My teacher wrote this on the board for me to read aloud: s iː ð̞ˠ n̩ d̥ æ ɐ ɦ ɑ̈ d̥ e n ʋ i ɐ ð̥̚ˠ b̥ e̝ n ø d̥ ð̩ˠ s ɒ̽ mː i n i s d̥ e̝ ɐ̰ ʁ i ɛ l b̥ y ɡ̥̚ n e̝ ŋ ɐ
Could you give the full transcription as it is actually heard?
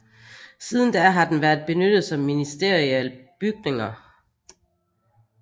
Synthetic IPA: s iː ð̞ˠ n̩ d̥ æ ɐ ɦ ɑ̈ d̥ e n ʋ æ ɐ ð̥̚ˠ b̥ e̝ n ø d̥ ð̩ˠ s ɒ̽ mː i n i s d̥ e̝ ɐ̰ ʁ i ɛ l b̥ y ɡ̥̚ n e̝ ŋ ɐ